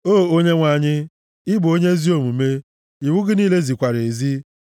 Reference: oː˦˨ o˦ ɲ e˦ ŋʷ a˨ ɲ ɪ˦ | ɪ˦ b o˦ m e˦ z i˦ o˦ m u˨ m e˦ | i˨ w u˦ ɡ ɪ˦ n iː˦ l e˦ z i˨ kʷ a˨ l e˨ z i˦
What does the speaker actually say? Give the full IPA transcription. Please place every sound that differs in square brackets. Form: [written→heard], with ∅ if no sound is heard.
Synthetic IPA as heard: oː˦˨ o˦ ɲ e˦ ŋʷ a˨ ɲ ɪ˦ | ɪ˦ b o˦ [m→ɲ] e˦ z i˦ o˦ m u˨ m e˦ | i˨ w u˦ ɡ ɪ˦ n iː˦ l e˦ z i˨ kʷ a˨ [l→ɾ] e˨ z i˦